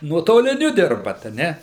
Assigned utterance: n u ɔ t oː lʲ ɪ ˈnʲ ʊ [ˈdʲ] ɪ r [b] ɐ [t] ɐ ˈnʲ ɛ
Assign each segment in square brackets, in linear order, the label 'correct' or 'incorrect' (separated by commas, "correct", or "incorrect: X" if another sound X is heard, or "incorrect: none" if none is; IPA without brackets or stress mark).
correct, correct, correct